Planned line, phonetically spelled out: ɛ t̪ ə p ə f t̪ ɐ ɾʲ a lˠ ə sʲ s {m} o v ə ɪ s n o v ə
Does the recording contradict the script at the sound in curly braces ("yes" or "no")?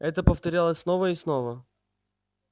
yes